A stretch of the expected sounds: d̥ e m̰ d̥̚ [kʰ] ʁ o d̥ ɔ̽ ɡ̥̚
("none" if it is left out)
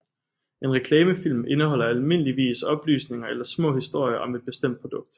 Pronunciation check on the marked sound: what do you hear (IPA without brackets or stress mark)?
pʰ